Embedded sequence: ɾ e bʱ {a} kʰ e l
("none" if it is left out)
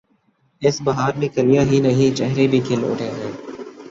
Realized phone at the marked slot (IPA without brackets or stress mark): i